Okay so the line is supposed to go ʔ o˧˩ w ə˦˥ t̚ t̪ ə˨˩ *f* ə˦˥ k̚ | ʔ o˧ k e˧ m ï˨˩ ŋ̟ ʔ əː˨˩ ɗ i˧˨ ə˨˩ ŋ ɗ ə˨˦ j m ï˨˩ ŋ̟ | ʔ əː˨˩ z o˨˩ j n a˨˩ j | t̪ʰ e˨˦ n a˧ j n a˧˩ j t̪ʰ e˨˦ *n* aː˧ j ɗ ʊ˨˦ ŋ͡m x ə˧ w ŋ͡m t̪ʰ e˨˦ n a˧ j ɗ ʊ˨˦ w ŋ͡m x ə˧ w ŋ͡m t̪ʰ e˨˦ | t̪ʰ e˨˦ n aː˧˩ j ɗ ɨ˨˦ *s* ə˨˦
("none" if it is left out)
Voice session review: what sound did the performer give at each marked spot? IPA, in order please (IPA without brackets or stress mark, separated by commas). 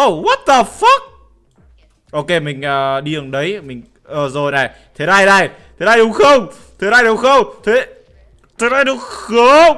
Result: f, n, x